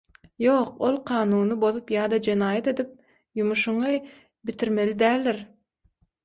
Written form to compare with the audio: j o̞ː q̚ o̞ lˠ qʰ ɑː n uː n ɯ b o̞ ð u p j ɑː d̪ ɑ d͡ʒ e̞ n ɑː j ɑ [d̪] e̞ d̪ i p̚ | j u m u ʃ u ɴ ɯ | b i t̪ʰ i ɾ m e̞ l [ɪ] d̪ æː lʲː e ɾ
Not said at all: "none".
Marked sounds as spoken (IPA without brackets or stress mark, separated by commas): t̪, i